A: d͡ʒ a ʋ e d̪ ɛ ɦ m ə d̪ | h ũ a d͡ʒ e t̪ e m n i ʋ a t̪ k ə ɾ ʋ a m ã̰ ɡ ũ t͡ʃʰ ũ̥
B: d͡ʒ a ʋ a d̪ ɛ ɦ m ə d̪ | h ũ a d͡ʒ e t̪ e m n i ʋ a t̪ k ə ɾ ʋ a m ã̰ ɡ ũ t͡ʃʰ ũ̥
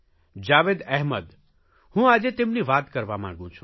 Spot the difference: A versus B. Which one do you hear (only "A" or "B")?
A